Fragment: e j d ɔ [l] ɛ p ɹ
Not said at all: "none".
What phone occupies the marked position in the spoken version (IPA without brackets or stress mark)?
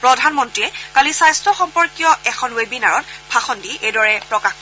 ɹ